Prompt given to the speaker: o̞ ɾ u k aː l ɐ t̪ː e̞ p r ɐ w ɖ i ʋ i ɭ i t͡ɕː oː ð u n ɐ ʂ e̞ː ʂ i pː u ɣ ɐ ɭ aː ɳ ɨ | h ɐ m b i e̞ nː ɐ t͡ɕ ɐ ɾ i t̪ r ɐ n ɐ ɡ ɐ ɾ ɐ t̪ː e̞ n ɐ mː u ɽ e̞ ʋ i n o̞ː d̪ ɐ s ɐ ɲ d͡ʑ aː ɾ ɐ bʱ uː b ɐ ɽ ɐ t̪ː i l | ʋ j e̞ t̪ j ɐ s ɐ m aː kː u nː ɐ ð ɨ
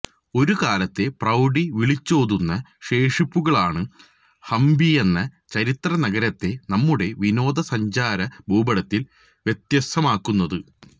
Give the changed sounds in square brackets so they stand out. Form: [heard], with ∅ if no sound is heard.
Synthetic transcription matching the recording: o̞ ɾ u k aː l ɐ t̪ː e̞ p r ɐ w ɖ i ʋ i ɭ i t͡ɕː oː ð u [nː] ɐ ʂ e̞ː ʂ i pː u ɣ ɐ ɭ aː ɳ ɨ | h ɐ m b i e̞ nː ɐ t͡ɕ ɐ ɾ i t̪ r ɐ n ɐ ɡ ɐ ɾ ɐ t̪ː e̞ n ɐ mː u ɽ e̞ ʋ i n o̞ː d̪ ɐ s ɐ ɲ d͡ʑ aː ɾ ɐ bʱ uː b ɐ ɽ ɐ t̪ː i l | ʋ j e̞ t̪ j ɐ s ɐ m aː kː u nː ɐ ð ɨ